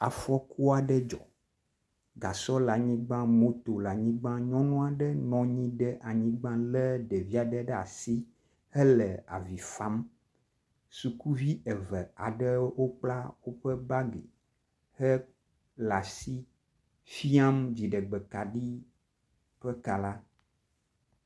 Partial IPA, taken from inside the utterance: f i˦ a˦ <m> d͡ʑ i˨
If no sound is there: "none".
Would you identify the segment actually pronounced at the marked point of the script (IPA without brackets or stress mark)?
m